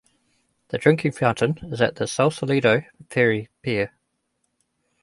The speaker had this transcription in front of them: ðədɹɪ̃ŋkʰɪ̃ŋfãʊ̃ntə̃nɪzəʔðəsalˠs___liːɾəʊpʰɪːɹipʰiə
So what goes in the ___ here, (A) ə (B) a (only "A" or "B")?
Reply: A